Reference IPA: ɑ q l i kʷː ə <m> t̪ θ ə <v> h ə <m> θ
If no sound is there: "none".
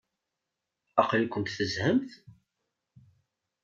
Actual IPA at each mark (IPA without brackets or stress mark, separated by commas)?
n, z, m